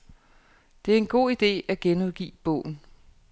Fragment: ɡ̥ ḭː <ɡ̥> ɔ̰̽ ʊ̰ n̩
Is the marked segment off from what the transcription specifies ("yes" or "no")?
yes